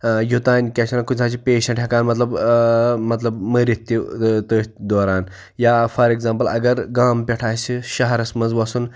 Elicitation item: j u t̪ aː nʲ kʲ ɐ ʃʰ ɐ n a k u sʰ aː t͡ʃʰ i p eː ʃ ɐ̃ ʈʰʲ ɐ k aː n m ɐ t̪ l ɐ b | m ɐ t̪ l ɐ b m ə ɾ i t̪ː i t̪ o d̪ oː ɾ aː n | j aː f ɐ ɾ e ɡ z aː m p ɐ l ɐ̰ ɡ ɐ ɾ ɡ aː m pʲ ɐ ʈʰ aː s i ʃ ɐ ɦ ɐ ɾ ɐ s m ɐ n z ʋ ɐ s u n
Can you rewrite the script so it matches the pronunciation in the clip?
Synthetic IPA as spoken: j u t̪ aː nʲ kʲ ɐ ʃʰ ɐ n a k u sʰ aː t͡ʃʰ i p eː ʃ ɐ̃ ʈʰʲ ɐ k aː n m ɐ t̪ l ɐ b | m ɐ t̪ l ɐ b m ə ɾ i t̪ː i t̪ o d̪ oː ɾ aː n | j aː f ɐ ɾ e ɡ z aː m p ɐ l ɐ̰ ɡ ɐ ɾ ɡ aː m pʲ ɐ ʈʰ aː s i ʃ ɐ ɦ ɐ ɾ ɐ s m ɐ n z ʋ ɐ s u n